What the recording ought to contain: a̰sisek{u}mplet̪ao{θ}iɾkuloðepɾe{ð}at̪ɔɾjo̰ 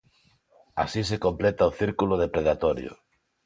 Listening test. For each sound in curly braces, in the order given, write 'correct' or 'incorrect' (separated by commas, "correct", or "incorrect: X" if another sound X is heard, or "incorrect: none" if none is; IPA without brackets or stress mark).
incorrect: o, correct, correct